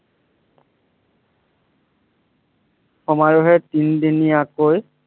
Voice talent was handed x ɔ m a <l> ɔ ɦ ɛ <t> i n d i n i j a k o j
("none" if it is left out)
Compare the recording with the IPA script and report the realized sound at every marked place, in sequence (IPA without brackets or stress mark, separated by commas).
ɹ, t